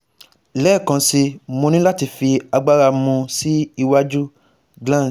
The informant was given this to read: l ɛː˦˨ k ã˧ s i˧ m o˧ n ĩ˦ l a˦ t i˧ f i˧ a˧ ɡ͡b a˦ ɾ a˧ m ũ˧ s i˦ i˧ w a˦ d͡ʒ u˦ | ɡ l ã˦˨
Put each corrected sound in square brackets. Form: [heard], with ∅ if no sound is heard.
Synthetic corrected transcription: l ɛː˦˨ k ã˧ s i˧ m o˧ n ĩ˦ l a˦ t i˧ f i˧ a˧ ɡ͡b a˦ ɾ a˧ m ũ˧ s i˦ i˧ w a˦ d͡ʒ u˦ | ɡ l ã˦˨